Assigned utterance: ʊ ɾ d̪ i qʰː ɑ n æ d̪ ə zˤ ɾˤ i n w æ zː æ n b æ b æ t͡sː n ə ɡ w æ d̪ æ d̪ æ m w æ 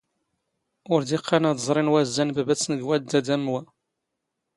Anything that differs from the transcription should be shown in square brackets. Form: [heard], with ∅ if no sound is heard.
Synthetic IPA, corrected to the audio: ʊ ɾ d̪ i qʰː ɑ n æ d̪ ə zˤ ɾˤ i n w æ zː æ n b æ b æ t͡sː n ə ɡ w æ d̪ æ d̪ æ m w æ